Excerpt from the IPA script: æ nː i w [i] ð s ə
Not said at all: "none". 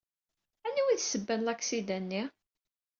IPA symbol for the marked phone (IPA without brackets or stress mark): i